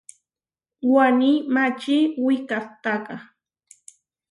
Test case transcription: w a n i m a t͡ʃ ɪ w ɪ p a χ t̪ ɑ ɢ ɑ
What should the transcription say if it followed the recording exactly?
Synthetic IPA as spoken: w a n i m a t͡ʃ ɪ w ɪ k a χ t̪ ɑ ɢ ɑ

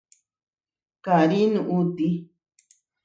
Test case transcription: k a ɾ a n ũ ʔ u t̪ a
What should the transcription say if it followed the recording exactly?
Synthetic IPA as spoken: k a ɾ i n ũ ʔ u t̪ i

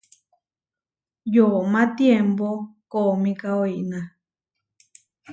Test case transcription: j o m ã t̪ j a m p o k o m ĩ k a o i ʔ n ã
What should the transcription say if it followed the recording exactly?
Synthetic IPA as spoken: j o m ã t̪ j e m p o k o m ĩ k a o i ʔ n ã

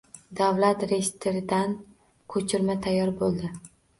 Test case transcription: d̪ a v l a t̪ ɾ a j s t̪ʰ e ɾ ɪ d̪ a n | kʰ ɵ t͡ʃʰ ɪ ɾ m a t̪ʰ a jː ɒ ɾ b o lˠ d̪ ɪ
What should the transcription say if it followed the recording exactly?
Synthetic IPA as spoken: d̪ a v l a t̪ ɾ e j s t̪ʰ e ɾ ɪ d̪ a n | kʰ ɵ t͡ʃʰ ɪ ɾ m a t̪ʰ a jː ɒ ɾ b o lˠ d̪ ɪ

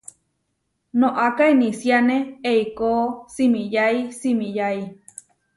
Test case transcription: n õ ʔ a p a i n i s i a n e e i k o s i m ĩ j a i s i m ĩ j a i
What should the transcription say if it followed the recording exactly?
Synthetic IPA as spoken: n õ ʔ a k a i n i s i a n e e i k o s i m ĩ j a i s i m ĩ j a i

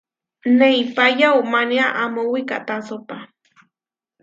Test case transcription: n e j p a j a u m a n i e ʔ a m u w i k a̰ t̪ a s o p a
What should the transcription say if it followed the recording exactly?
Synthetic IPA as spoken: n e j p a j a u m a n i a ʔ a m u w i k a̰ t̪ a s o p a

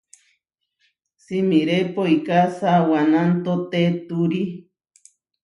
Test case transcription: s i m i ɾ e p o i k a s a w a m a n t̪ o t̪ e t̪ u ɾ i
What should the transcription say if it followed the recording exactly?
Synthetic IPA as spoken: s i m i ɾ e p o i k a s a w a n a n t̪ o t̪ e t̪ u ɾ i

